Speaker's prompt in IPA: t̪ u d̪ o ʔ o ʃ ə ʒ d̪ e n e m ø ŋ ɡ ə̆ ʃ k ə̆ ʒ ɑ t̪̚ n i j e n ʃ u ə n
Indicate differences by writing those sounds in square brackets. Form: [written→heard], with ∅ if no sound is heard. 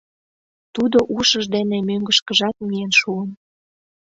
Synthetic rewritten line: t̪ u d̪ o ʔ [o→u] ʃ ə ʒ d̪ e n e m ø ŋ ɡ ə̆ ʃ k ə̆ ʒ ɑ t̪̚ [n→m] i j e n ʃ u ə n

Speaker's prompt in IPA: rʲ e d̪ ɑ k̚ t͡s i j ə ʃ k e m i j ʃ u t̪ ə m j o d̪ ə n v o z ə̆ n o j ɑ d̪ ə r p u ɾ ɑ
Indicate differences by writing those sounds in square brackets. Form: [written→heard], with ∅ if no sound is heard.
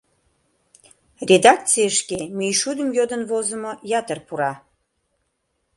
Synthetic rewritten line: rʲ e d̪ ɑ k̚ t͡s i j ə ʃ k e m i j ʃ u [t̪→d̪] ə m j o d̪ ə n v o z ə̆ [n→m] o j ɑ [d̪→t̪] ə r p u ɾ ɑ

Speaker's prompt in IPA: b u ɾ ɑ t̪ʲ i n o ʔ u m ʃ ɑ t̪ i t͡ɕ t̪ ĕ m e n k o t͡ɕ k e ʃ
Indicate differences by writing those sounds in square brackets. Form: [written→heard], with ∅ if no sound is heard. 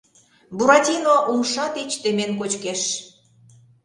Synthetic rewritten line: b u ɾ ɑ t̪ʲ i n o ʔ u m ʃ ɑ t̪ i t͡ɕ t̪ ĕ m e n k o t͡ɕ k e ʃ

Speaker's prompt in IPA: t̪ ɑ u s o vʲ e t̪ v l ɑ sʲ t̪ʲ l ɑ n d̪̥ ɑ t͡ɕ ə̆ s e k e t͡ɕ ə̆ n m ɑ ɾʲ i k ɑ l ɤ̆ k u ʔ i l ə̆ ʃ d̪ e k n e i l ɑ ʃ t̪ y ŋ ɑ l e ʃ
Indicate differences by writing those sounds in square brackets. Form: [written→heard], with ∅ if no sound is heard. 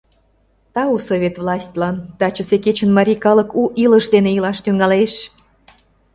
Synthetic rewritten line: t̪ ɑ u s o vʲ e t̪ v l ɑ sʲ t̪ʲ l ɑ n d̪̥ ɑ t͡ɕ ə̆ s e k e t͡ɕ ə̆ n m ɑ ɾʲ i k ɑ l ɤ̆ k u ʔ i l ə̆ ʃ d̪ e [k→∅] n e i l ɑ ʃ t̪ y ŋ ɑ l e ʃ

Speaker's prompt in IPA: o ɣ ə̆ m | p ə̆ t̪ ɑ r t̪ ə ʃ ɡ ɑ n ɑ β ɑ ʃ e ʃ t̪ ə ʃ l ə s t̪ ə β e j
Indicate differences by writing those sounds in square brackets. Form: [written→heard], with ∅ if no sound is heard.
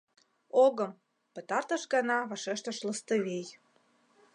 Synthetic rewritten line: o ɣ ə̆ m | p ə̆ t̪ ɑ r t̪ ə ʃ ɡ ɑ n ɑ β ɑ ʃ e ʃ t̪ ə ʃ l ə s t̪ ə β e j

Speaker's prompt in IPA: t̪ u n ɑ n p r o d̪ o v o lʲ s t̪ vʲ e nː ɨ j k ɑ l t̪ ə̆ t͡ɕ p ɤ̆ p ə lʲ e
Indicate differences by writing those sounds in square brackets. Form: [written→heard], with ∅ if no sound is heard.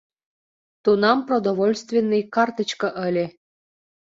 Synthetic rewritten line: t̪ u n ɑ [n→m] p r o d̪ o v o lʲ s t̪ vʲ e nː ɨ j k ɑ [l→r] t̪ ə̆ t͡ɕ [p→k] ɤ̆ [p→ʔ] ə lʲ e

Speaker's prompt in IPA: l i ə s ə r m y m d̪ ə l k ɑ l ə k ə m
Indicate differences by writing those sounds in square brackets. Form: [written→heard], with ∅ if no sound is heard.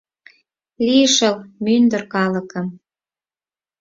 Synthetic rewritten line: l i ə [s→ʃ] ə [r→l] m y [m→n] d̪ ə [l→r] k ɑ l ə k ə m

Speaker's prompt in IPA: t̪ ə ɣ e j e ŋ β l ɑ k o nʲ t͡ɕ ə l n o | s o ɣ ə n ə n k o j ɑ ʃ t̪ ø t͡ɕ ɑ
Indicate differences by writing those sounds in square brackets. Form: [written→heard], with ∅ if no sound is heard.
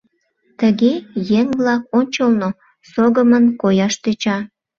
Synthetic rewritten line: t̪ ə ɣ e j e ŋ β l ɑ k o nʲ t͡ɕ ə l n o | s o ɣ ə [n→m] ə n k o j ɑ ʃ t̪ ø t͡ɕ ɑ

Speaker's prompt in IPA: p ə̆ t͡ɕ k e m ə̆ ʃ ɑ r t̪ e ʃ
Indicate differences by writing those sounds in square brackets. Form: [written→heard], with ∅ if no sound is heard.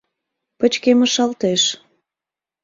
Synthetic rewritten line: p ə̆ t͡ɕ k e m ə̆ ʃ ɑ [r→l] t̪ e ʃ

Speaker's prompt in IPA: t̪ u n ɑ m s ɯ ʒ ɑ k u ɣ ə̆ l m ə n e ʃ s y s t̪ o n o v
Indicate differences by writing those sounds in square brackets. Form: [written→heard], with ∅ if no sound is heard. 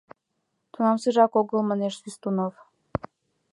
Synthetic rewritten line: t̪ u n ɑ m s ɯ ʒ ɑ k [u→o] ɣ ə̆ l m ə n e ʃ s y s t̪ [o→u] n o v

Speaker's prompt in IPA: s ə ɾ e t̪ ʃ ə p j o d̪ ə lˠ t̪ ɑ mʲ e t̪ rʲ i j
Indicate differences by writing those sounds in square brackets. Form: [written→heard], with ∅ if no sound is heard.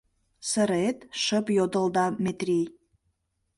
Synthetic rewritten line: s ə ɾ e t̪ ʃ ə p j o d̪ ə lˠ [t̪→d̪] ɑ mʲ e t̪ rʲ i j

